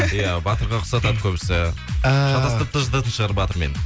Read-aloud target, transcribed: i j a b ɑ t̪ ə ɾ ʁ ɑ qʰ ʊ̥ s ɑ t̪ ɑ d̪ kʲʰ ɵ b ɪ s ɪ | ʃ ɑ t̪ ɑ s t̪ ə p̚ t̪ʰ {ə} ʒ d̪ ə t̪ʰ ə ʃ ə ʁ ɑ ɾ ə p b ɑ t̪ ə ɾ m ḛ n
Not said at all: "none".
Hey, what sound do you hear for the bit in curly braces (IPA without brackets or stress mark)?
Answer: ə